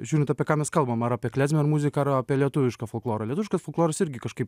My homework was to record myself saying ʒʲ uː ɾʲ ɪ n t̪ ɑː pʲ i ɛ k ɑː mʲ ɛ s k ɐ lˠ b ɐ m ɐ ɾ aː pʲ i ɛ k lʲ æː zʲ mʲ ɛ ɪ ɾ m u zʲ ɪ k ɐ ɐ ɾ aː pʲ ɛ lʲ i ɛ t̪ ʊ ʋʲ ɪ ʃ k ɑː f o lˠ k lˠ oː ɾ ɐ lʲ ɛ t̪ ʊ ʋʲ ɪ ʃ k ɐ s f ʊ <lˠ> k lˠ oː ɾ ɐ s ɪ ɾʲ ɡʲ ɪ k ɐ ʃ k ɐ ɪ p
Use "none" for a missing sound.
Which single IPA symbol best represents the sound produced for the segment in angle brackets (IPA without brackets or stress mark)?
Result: lˠ